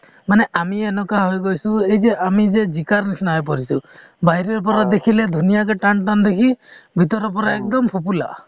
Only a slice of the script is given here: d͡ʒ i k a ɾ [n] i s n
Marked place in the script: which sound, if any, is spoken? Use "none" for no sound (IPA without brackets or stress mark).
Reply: n